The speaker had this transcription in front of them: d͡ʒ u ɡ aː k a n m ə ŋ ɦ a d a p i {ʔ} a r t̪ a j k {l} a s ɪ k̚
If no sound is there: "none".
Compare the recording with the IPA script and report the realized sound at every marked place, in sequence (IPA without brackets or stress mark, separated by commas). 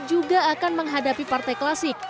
p, l